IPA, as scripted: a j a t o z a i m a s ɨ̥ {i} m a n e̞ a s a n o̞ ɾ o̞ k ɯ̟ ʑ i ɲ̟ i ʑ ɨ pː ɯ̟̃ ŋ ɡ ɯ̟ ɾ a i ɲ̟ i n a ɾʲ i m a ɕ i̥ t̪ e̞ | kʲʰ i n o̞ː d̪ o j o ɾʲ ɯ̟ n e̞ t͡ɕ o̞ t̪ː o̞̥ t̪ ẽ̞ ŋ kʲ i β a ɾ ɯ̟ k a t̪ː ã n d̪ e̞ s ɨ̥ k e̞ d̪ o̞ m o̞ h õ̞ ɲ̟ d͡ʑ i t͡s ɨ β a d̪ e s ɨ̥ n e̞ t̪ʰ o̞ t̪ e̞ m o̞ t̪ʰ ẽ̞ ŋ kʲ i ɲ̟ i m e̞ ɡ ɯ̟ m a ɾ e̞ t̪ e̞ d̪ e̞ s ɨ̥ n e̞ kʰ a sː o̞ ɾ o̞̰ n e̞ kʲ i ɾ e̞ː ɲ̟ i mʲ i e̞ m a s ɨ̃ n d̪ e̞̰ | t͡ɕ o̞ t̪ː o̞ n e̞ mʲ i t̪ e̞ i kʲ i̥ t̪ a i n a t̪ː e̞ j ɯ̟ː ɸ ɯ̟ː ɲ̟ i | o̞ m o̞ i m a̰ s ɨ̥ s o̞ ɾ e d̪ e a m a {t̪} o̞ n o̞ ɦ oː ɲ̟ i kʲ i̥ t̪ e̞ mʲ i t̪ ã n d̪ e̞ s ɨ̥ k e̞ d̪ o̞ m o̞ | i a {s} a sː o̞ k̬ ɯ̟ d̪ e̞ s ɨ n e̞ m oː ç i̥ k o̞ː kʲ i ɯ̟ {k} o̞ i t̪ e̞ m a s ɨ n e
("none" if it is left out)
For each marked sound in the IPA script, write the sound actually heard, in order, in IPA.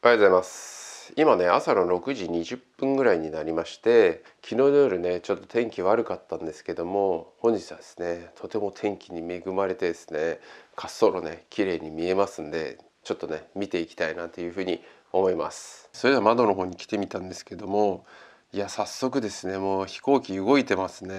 i, d̪, s, ɡ

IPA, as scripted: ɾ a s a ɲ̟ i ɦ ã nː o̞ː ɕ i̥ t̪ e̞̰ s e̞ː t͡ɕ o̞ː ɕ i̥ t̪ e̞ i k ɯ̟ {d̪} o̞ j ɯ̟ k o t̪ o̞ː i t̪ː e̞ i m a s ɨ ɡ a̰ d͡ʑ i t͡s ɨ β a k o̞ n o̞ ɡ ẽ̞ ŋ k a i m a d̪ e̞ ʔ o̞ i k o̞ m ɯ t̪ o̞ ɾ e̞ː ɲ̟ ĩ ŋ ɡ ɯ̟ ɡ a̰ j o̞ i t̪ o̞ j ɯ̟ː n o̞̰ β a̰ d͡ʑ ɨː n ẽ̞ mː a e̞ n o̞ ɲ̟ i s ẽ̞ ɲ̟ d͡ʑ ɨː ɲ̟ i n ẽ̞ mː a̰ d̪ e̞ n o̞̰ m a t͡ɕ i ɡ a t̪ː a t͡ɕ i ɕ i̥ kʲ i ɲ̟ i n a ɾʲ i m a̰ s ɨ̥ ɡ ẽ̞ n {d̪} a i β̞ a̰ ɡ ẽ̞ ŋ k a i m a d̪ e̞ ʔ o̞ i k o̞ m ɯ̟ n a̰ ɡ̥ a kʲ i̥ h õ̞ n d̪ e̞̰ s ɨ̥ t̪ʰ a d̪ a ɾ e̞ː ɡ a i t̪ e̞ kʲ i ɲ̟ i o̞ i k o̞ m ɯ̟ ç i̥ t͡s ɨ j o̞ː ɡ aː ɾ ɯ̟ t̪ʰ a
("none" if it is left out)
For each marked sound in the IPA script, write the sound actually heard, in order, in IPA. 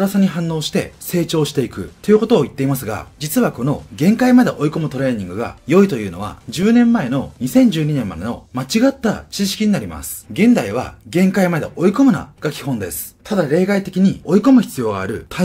t̪, d̪

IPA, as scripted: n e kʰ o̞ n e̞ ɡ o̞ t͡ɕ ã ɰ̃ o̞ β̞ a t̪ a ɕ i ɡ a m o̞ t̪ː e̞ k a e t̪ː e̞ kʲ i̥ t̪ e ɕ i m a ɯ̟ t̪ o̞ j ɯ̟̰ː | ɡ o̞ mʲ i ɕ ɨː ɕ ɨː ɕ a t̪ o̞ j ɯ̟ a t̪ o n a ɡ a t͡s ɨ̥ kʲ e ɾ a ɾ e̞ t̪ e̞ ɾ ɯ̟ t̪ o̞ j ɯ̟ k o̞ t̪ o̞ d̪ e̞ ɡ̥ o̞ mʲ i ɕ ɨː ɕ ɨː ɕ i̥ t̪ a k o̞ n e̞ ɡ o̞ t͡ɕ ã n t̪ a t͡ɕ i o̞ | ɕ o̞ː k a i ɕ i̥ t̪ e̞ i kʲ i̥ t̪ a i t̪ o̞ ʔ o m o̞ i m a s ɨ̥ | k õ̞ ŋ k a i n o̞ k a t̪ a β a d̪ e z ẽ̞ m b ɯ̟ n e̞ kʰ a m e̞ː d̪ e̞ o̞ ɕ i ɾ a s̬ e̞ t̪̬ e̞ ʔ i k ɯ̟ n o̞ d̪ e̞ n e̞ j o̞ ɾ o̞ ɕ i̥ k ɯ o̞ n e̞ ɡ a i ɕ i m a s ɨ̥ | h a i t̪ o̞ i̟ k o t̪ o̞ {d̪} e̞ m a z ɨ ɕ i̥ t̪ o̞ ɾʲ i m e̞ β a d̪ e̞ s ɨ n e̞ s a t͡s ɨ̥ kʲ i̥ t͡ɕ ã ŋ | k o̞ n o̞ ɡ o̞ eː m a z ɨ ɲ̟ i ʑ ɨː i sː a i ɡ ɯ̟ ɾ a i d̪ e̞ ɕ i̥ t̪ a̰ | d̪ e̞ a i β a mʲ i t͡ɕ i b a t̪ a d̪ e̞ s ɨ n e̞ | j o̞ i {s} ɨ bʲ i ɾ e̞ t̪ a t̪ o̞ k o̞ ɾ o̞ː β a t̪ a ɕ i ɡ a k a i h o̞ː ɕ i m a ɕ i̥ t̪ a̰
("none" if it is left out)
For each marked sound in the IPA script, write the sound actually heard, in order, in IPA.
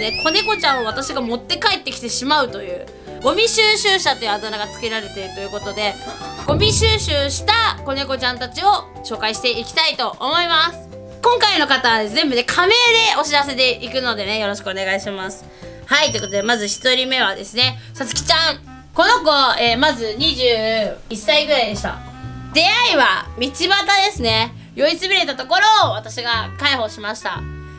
d̪, t͡s

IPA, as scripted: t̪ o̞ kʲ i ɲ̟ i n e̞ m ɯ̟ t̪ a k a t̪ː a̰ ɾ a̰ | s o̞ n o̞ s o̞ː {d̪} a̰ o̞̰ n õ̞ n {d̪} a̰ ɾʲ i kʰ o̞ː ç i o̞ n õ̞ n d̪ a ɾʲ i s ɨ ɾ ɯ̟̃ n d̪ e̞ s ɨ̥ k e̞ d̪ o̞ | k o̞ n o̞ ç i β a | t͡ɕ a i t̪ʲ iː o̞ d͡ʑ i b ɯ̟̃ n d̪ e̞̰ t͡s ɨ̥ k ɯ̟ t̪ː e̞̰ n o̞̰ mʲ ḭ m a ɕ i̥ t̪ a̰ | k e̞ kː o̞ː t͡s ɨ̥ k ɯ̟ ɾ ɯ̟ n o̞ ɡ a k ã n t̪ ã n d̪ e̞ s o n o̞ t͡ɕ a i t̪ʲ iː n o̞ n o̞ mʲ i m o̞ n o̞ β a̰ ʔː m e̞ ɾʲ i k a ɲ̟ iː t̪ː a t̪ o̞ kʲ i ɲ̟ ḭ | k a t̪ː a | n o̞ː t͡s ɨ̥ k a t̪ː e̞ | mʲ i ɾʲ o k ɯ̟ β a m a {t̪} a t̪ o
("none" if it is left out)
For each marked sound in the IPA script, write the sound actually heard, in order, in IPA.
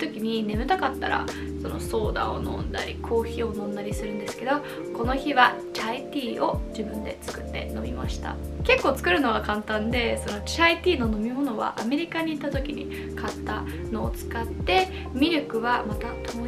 d̪, d̪, t̪

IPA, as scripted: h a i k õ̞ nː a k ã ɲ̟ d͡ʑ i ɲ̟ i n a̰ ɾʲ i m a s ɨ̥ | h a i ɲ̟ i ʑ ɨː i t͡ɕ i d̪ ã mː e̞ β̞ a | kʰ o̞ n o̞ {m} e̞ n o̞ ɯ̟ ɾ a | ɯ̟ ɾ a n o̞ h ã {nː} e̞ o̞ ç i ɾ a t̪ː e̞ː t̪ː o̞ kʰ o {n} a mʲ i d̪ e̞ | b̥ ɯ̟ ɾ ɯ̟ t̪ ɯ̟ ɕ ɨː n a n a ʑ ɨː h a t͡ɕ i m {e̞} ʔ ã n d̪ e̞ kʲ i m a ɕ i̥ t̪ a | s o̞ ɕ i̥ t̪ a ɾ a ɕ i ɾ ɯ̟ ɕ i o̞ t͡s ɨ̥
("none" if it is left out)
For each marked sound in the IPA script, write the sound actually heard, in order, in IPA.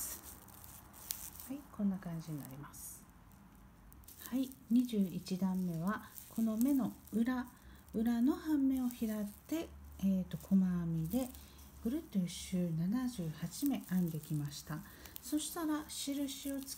m, mː, m, e̞

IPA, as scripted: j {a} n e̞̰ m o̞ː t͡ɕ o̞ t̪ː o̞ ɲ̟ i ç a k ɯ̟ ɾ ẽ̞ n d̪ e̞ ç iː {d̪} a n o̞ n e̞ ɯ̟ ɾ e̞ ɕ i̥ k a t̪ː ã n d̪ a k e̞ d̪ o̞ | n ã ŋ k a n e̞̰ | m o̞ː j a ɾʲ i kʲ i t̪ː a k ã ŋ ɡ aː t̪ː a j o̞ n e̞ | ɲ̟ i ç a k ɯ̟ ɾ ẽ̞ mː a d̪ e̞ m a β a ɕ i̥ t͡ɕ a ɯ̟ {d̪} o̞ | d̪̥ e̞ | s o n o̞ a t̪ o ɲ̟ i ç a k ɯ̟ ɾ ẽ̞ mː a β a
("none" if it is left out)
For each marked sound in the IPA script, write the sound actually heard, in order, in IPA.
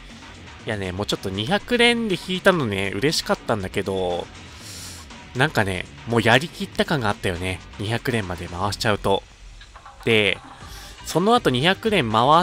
a, t̪, t̪

